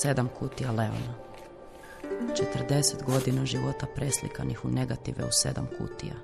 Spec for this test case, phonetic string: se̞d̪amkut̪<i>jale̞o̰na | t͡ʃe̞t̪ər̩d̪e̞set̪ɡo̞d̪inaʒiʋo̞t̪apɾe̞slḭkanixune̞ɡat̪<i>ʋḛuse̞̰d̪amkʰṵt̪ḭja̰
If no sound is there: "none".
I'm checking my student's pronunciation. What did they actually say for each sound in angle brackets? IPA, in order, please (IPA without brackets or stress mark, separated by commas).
i, i